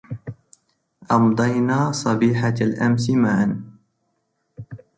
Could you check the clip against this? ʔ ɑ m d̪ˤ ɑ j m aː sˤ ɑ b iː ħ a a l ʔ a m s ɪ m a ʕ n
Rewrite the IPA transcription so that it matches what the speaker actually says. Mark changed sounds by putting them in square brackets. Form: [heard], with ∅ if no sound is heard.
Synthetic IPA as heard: ʔ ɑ m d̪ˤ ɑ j [n] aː sˤ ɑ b iː ħ a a l ʔ a m s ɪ m a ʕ n